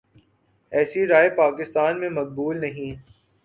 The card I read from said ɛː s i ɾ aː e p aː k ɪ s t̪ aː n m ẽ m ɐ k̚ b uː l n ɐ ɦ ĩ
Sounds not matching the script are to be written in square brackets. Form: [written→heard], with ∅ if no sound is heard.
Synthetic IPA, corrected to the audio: ɛː s i ɾ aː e p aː k ɪ s t̪ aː n m ẽ m ɐ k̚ b uː l n ɐ ɦ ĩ